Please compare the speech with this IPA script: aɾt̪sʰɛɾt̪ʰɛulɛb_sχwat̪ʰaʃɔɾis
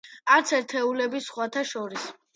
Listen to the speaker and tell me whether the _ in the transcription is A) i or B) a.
A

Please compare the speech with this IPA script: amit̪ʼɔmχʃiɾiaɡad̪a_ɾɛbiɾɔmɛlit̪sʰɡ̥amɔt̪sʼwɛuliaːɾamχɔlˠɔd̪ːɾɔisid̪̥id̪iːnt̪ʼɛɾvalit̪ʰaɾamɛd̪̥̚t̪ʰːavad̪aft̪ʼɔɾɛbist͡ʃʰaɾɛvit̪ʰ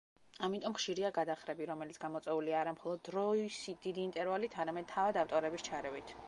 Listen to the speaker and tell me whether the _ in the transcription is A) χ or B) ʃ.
A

